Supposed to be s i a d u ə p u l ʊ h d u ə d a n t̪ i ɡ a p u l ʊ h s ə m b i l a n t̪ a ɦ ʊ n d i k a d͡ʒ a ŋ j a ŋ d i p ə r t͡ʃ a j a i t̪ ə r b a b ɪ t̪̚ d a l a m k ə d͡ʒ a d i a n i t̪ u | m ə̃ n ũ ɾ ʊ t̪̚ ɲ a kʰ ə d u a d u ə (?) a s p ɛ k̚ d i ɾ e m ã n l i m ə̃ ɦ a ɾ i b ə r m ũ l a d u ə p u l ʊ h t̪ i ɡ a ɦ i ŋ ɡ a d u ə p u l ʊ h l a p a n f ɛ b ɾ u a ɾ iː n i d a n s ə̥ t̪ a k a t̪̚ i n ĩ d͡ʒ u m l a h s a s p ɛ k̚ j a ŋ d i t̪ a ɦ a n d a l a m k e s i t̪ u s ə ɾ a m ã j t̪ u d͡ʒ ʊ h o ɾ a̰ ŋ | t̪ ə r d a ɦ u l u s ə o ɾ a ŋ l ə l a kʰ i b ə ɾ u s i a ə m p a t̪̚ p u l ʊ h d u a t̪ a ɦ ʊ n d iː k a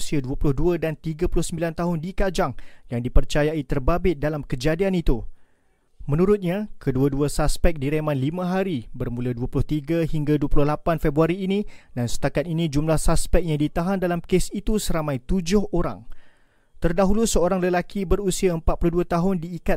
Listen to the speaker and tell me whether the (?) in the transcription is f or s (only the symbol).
s